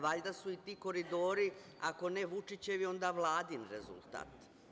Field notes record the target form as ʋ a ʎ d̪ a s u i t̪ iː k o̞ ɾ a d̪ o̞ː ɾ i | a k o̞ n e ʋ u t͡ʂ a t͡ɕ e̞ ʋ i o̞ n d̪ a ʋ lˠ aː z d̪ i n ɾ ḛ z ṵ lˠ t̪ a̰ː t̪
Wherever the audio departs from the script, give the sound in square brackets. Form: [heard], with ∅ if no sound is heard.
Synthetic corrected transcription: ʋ a ʎ d̪ a s u i t̪ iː k o̞ ɾ [i] d̪ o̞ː ɾ i | a k o̞ n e ʋ u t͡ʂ [i] t͡ɕ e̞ ʋ i o̞ n d̪ a ʋ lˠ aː [∅] d̪ i n ɾ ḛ z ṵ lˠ t̪ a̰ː t̪